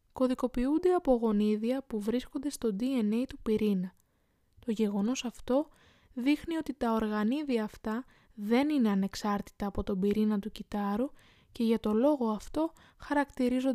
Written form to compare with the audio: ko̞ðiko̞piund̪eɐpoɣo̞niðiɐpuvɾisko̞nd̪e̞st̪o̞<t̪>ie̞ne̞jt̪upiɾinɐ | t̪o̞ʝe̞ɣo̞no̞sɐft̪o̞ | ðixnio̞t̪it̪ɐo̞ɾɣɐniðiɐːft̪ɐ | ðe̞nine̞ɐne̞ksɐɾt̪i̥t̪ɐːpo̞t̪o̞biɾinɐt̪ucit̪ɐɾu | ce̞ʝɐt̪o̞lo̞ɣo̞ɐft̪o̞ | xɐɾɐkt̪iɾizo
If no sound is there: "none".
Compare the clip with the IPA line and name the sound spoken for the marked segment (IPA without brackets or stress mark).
d̪